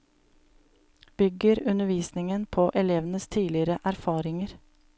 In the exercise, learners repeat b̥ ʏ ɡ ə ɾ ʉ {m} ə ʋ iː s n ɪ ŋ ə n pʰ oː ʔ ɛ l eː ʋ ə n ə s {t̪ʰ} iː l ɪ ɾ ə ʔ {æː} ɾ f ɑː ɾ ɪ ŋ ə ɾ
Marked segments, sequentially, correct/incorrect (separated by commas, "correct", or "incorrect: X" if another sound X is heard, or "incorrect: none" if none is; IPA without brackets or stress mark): incorrect: n, correct, incorrect: æ